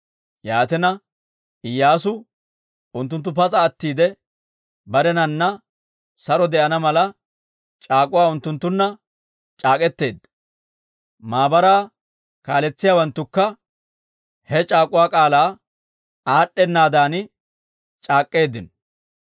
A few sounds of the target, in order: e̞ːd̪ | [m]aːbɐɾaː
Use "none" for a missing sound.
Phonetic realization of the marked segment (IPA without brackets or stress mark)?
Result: m